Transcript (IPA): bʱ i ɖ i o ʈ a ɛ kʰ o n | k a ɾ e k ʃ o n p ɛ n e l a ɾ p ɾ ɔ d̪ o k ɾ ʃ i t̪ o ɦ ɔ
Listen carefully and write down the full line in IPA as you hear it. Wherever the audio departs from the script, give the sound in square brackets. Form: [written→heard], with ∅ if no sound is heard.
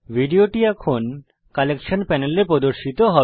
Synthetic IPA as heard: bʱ i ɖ i o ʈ [a→i] ɛ kʰ o n | k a [ɾ→l] e k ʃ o n p ɛ n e l [a→e] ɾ p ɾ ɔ d̪ o [k→∅] ɾ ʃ i t̪ o ɦ ɔ